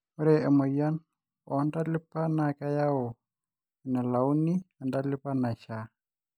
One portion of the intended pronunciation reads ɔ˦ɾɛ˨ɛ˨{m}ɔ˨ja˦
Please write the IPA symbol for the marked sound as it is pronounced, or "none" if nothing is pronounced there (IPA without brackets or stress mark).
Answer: m